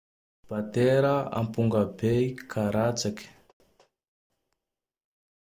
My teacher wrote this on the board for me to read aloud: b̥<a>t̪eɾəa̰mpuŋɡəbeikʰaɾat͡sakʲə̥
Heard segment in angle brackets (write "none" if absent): a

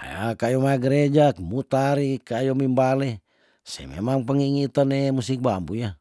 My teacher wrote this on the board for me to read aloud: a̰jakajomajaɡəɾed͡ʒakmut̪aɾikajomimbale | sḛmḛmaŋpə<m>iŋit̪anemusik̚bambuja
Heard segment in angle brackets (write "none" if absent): ŋ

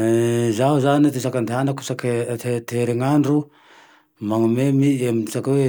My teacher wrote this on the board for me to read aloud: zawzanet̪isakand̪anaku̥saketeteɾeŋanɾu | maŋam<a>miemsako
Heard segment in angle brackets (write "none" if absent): e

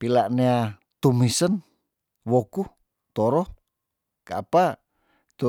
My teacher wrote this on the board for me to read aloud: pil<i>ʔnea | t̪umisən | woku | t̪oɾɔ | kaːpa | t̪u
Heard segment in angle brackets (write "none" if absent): a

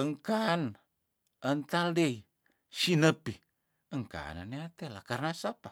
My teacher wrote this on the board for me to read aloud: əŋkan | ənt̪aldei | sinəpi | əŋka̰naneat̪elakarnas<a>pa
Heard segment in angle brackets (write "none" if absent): a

